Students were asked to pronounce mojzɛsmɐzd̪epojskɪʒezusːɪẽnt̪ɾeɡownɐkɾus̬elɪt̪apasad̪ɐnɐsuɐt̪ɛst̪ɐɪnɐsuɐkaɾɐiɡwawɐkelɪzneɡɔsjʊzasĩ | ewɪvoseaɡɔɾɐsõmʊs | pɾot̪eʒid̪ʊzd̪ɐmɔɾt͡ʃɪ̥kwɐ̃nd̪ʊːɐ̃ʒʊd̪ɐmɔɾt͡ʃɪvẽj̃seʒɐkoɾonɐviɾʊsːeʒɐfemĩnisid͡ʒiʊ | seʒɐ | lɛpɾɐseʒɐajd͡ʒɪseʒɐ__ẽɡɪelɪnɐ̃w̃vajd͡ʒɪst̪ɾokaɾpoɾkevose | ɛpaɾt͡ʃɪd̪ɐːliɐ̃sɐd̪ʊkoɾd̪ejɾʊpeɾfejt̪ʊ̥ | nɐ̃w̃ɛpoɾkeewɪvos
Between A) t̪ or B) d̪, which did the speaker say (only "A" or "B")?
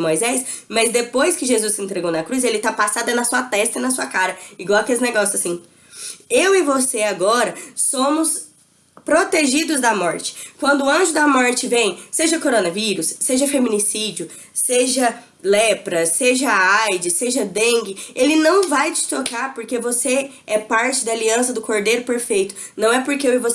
B